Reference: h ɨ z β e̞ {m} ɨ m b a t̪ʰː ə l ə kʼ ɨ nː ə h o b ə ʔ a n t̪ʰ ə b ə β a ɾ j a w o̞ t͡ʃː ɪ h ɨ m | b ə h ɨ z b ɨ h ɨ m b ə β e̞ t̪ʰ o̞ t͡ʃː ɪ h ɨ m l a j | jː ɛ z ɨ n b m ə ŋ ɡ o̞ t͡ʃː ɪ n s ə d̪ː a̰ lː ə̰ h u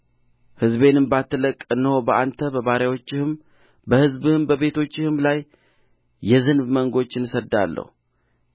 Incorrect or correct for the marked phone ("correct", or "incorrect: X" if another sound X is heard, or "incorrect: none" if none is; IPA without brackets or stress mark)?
incorrect: n